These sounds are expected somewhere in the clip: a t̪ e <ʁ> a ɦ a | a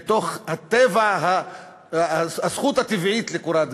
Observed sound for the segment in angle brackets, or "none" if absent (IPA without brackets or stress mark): v